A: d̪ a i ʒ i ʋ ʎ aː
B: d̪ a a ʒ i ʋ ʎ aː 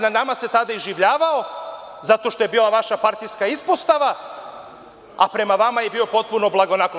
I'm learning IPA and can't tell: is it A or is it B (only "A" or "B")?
A